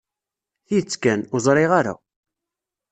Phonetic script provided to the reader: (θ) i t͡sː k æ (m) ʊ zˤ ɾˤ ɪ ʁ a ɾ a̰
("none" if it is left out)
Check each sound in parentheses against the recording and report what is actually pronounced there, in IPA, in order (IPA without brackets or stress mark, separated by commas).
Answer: θ, n